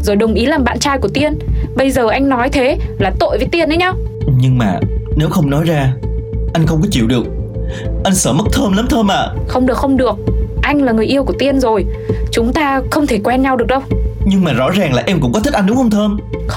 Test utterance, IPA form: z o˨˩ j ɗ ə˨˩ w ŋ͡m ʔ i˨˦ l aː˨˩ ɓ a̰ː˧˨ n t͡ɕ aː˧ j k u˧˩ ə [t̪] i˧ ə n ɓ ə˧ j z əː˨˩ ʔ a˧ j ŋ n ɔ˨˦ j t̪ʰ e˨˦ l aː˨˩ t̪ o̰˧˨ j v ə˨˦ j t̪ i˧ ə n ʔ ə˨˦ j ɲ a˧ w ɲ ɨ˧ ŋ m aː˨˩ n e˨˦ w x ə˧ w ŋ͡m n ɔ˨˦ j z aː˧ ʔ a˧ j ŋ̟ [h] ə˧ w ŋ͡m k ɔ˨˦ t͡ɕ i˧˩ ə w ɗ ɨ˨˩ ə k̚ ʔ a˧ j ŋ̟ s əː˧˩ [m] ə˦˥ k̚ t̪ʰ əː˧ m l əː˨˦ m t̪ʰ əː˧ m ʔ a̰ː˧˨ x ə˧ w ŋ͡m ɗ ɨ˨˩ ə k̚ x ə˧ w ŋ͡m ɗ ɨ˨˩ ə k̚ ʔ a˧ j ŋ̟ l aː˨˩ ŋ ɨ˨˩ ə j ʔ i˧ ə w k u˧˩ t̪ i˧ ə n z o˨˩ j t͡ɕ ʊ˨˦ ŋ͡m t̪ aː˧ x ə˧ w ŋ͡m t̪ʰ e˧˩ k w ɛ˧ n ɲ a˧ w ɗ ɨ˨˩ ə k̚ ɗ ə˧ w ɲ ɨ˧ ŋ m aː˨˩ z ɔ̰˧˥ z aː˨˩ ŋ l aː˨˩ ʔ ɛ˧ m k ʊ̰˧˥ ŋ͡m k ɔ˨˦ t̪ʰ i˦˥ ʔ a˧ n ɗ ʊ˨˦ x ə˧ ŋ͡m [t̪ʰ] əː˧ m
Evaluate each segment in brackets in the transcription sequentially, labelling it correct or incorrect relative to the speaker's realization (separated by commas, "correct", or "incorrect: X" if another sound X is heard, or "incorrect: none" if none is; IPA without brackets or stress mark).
correct, incorrect: x, correct, correct